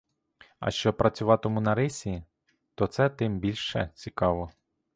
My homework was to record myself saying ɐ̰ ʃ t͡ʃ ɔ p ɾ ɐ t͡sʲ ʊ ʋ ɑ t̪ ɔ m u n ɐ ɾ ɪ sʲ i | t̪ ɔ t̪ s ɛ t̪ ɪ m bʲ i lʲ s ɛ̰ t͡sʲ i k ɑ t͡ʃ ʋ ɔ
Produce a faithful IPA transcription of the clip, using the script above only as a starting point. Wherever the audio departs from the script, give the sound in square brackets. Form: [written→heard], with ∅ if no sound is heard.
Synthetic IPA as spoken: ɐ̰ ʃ t͡ʃ ɔ p ɾ ɐ t͡sʲ ʊ ʋ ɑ t̪ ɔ m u n ɐ ɾ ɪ sʲ i | t̪ ɔ t̪ s ɛ t̪ ɪ m bʲ i lʲ [s→ʃ] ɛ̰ t͡sʲ i k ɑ [t͡ʃ→∅] ʋ ɔ